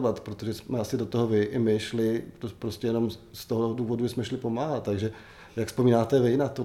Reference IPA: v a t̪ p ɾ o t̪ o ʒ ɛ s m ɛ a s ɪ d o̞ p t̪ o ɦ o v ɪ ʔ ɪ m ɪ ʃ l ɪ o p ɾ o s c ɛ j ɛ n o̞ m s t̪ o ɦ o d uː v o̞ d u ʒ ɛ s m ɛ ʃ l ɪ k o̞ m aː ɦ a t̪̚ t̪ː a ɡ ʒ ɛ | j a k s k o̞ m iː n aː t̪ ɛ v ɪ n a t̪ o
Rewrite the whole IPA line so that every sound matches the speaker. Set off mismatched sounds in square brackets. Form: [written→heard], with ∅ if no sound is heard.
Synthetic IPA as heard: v a t̪ p ɾ o t̪ o ʒ ɛ s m ɛ a s ɪ d o̞ [p→∅] t̪ o ɦ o v ɪ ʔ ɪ m ɪ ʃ l ɪ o p ɾ o s c ɛ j ɛ n o̞ m s t̪ o ɦ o d uː v o̞ d u ʒ ɛ s m ɛ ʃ l ɪ [k→p] o̞ m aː ɦ a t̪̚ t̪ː a ɡ ʒ ɛ | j a k s [k→p] o̞ m iː n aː t̪ ɛ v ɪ n a t̪ o